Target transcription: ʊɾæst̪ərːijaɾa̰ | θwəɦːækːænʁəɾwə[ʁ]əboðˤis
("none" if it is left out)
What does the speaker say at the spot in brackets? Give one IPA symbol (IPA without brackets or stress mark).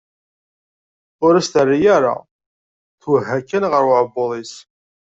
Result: ʕ